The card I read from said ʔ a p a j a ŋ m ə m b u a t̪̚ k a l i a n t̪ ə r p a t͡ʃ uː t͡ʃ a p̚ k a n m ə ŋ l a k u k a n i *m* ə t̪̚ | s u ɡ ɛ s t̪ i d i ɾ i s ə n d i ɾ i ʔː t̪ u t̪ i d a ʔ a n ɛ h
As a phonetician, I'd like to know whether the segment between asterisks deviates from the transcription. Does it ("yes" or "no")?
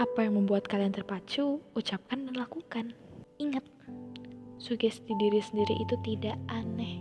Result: yes